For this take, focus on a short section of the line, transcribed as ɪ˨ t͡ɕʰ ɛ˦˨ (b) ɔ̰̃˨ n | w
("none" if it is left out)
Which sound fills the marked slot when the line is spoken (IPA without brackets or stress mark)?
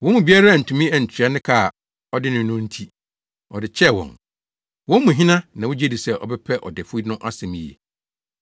w